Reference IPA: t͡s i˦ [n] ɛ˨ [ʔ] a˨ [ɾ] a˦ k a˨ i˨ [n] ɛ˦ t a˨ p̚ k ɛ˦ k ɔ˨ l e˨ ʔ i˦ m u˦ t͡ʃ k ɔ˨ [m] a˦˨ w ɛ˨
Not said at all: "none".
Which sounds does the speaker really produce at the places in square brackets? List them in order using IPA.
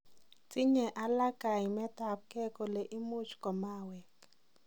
ɲ, ʔ, l, m, m

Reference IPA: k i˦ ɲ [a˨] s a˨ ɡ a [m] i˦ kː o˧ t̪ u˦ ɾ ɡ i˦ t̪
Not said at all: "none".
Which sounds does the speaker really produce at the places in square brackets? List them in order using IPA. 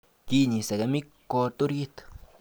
i˨, m

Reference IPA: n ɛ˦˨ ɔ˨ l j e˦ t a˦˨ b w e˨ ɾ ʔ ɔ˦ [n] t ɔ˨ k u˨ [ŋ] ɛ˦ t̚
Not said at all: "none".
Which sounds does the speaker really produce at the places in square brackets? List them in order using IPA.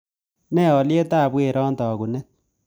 n, n

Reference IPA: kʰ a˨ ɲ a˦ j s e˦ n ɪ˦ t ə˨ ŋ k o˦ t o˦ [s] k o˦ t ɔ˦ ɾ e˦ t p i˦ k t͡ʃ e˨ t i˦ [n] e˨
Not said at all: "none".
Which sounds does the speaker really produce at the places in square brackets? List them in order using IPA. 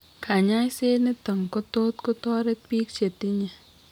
t, ɲ

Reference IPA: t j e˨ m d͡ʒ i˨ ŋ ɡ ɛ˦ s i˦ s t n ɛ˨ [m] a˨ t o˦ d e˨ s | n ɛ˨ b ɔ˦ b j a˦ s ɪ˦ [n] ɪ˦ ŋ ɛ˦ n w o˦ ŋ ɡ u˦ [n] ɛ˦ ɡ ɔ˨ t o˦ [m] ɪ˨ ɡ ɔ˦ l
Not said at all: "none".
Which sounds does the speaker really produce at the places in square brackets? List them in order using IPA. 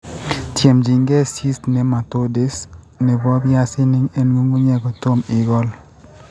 m, n, ɲ, m

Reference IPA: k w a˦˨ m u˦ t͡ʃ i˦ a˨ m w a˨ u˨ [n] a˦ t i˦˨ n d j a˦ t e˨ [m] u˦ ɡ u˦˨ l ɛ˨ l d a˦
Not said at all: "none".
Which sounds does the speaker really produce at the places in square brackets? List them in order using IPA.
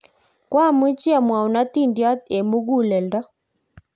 n, m

